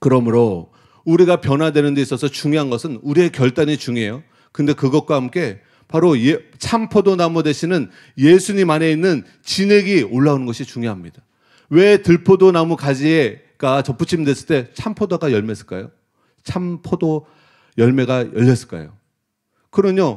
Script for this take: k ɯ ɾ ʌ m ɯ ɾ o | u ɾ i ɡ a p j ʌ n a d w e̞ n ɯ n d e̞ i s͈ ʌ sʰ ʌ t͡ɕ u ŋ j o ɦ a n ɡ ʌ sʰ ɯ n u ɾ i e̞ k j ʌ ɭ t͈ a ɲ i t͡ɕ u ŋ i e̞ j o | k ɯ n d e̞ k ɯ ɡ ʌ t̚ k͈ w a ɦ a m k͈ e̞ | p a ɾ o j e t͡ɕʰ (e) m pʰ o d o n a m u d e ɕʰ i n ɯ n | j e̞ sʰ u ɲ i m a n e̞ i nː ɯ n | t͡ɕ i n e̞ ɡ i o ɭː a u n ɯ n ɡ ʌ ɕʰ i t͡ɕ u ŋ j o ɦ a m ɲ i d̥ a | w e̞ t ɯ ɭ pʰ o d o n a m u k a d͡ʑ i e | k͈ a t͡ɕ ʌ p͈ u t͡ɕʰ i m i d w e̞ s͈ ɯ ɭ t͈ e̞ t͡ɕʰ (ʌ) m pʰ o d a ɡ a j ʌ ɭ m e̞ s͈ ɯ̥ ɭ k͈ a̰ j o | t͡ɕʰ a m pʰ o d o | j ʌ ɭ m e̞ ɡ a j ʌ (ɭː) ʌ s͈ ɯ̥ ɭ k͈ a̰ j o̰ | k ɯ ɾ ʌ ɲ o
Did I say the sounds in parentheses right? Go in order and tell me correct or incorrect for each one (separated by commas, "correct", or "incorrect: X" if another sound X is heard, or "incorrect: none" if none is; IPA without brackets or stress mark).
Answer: incorrect: a, incorrect: a, incorrect: ʎː